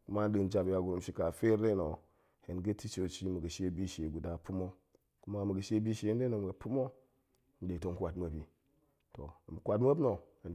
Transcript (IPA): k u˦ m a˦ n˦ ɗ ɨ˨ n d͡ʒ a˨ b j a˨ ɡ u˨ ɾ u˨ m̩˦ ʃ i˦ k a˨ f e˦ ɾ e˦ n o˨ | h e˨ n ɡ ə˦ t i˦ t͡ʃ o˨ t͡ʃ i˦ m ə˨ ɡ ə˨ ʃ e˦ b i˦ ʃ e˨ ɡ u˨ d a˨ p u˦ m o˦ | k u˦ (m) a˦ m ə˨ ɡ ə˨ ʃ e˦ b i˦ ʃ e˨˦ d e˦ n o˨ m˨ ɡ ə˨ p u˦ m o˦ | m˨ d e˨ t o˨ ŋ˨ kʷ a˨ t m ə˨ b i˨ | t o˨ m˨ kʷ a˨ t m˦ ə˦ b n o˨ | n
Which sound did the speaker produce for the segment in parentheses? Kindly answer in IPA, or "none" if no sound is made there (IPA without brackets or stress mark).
m